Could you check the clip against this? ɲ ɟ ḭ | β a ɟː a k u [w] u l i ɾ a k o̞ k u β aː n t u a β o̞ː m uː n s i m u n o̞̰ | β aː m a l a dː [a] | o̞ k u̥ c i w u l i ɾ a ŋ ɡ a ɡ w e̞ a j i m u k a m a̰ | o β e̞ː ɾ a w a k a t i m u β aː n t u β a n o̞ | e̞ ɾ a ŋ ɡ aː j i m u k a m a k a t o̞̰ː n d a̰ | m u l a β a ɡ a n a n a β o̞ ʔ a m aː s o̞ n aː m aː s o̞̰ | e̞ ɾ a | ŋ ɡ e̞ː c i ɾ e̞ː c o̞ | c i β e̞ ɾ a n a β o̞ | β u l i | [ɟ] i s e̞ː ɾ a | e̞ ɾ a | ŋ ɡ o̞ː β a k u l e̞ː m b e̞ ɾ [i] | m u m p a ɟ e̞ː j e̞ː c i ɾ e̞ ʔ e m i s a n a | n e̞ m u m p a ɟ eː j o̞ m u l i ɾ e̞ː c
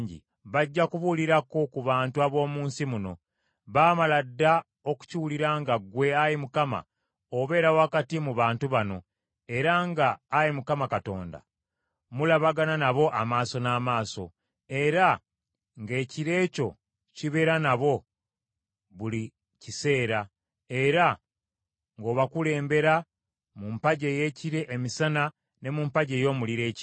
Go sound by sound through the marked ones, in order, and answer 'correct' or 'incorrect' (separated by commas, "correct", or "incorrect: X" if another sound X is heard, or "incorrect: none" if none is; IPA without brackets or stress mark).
incorrect: β, correct, incorrect: c, incorrect: a